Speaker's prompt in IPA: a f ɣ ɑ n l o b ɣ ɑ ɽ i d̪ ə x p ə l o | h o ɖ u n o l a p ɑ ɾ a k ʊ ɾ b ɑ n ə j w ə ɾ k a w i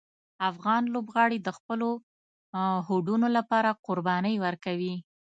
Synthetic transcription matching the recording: a f ɣ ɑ n l o b ɣ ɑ ɽ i d̪ ə x p ə l o | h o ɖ u n o l a p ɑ ɾ a q ʊ ɾ b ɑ n ə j w ə ɾ k a w i